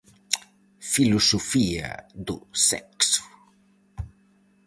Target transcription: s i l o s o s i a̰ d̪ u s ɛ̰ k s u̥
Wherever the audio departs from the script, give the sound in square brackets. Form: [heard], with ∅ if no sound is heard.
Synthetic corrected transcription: [f] i l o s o [f] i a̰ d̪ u s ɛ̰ k s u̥